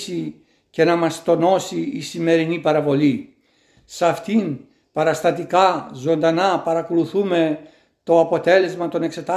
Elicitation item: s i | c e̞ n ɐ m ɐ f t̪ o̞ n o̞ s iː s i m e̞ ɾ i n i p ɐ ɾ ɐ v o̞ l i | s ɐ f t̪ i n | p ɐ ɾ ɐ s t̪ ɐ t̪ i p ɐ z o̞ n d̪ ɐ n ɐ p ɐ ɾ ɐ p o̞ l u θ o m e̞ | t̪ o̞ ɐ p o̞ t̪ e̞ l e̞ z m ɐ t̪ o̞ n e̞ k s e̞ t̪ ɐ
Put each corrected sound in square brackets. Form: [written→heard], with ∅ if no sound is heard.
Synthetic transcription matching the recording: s i | c e̞ n ɐ m ɐ [f→s] t̪ o̞ n o̞ s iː s i m e̞ ɾ i n i p ɐ ɾ ɐ v o̞ l i | s ɐ f t̪ i n | p ɐ ɾ ɐ s t̪ ɐ t̪ i [p→k] ɐ z o̞ n d̪ ɐ n ɐ p ɐ ɾ ɐ [p→k] o̞ l u θ [o→u] m e̞ | t̪ o̞ ɐ p o̞ t̪ e̞ l e̞ z m ɐ t̪ o̞ n e̞ k s e̞ t̪ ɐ